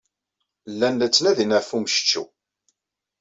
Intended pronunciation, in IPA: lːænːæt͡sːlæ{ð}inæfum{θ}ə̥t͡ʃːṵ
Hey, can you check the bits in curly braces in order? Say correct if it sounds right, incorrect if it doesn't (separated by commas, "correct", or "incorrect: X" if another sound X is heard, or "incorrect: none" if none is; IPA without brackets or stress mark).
correct, incorrect: ʃ